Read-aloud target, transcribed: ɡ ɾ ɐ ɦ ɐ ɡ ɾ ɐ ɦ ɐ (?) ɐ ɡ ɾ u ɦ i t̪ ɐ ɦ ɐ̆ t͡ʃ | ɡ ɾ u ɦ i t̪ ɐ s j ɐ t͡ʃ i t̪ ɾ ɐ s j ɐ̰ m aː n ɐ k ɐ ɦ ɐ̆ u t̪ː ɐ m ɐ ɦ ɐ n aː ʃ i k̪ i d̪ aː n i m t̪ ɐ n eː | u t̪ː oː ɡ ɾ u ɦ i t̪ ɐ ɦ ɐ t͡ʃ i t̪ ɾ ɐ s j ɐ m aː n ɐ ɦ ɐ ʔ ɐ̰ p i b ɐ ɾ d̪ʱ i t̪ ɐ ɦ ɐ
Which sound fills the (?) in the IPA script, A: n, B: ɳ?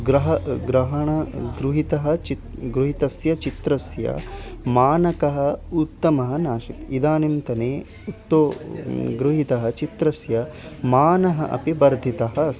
B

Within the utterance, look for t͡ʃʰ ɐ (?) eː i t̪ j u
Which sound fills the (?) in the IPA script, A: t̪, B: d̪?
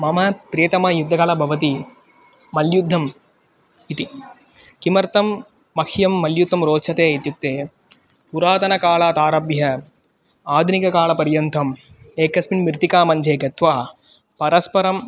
A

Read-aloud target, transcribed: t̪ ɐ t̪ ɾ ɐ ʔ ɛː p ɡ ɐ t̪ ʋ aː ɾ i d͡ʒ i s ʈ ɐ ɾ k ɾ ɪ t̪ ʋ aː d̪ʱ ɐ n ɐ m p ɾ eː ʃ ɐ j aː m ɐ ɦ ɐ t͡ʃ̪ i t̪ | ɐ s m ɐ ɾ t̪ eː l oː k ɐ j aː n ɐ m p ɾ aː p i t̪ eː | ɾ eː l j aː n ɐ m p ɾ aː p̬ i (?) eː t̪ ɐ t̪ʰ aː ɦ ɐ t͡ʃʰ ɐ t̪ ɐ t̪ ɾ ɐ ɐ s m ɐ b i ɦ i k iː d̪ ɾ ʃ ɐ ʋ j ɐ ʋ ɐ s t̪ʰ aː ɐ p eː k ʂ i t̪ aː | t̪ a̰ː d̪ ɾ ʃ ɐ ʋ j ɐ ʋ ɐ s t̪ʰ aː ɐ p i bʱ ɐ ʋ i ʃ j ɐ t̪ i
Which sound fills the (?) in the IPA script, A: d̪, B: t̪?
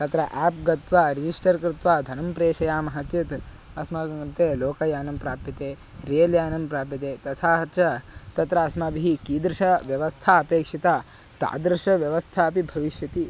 B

